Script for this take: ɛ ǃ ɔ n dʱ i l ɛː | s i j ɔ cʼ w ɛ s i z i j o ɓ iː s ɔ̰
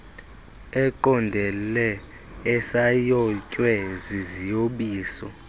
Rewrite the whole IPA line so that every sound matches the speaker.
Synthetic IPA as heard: ɛ ǃ ɔ n dʱ ɛ l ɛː | s a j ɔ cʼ w ɛ z i z i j o ɓ iː s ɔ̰